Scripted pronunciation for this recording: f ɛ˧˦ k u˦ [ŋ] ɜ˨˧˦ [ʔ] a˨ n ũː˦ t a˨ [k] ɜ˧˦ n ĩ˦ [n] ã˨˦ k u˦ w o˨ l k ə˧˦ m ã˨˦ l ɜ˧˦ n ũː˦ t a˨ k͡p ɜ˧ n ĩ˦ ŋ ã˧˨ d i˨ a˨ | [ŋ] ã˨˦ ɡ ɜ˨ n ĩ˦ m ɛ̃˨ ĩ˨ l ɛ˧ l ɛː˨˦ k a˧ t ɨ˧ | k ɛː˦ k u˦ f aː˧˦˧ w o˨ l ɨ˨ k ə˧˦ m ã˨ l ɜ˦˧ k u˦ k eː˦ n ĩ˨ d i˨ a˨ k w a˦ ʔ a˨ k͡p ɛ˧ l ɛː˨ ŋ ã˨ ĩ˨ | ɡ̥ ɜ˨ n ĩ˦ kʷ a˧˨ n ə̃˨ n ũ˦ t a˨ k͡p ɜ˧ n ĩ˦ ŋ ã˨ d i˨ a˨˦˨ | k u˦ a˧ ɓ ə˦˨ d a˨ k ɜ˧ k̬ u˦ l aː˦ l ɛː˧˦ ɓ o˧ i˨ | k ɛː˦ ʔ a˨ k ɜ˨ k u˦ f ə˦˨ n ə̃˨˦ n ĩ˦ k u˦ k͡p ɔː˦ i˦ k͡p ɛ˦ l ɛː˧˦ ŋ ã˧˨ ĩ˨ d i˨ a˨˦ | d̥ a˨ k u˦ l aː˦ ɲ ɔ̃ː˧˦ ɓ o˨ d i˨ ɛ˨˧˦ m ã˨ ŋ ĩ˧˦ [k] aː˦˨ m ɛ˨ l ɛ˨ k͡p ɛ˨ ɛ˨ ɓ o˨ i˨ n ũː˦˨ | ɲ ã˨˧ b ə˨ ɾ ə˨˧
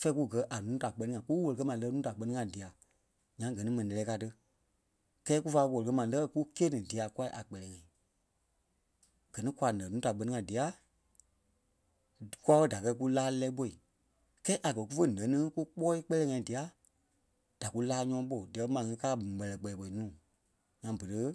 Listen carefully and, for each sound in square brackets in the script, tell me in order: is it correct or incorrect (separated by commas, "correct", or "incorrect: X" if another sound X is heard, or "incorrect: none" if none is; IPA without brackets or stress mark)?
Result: incorrect: ɡ, correct, incorrect: k͡p, incorrect: ŋ, incorrect: ɲ, correct